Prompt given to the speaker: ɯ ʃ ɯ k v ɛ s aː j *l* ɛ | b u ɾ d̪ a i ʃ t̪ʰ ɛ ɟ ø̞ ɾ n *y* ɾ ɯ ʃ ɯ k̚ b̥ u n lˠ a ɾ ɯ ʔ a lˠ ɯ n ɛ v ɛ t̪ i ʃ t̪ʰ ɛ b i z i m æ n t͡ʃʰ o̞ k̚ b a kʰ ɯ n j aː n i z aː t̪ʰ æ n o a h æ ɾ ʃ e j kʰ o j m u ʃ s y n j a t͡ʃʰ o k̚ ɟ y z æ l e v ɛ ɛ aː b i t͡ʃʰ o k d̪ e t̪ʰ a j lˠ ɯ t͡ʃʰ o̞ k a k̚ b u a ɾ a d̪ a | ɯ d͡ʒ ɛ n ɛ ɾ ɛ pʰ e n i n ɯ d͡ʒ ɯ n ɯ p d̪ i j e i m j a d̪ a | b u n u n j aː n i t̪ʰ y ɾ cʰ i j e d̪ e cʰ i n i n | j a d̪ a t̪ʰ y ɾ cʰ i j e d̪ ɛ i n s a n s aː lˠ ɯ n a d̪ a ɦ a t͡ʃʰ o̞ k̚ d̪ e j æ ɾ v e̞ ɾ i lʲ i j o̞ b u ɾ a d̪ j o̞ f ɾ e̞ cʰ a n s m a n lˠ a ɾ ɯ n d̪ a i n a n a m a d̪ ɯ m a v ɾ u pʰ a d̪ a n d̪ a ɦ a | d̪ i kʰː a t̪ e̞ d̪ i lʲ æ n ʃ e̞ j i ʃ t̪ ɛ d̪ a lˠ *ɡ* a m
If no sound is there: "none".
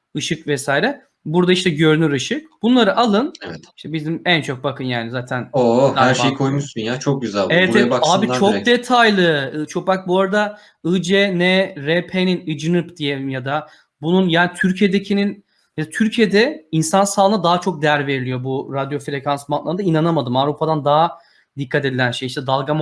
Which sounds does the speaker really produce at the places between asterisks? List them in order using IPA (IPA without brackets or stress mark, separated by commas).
ɾ, y, ɡ